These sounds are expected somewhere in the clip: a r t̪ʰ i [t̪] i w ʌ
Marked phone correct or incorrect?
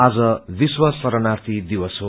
incorrect